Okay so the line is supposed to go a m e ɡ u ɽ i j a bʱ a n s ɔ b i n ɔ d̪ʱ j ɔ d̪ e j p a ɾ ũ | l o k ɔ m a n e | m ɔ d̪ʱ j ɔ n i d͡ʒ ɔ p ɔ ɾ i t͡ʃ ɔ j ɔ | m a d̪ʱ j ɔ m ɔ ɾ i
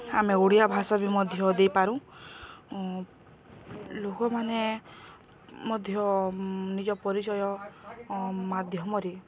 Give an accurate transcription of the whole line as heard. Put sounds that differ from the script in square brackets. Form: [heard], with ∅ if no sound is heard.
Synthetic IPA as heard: a m e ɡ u ɽ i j a bʱ a [∅] s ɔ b i [m] ɔ d̪ʱ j ɔ d̪ e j p a ɾ ũ | l o k ɔ m a n e | m ɔ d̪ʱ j ɔ n i d͡ʒ ɔ p ɔ ɾ i t͡ʃ ɔ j ɔ | m a d̪ʱ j ɔ m ɔ ɾ i